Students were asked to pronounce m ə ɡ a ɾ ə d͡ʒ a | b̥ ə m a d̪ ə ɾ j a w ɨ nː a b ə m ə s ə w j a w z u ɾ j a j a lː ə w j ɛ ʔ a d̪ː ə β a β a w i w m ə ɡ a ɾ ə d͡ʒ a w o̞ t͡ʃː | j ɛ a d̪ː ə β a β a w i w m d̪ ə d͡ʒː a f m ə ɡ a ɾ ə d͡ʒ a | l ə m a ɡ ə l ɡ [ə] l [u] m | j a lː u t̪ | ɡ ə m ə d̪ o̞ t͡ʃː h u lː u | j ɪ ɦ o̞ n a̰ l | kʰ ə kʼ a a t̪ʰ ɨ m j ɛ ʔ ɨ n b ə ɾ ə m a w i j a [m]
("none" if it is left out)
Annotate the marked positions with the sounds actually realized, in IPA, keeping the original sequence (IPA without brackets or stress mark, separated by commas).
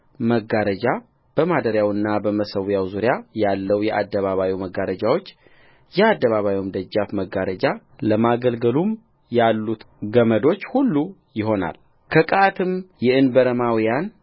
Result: ə, u, n